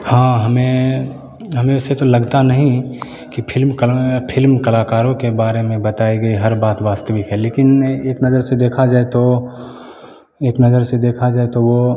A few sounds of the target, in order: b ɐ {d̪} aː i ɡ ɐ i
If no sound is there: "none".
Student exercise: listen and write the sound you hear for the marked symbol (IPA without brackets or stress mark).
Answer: t̪